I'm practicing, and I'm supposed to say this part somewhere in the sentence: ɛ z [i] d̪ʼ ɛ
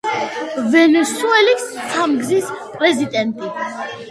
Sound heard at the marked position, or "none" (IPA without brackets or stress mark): i